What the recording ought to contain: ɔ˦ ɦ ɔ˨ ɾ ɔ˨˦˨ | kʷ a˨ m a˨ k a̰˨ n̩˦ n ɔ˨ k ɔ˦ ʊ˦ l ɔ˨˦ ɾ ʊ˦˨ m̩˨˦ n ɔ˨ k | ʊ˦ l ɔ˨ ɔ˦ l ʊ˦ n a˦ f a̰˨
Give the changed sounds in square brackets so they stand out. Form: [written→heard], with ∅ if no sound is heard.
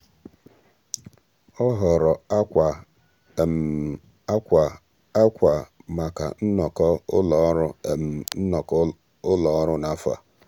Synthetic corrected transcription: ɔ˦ ɦ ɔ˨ ɾ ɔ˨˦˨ | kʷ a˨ m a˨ k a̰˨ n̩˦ n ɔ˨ k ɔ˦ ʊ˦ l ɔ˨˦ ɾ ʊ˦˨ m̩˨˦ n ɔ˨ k | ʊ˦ l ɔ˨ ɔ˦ [l→ɾ] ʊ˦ n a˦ f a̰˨